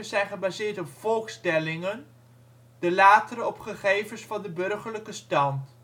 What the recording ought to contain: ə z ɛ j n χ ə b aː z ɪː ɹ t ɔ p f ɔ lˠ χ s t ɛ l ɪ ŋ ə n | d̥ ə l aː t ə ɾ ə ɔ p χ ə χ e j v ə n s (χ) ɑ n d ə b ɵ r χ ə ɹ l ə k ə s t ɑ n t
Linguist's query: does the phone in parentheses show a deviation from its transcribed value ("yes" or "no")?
yes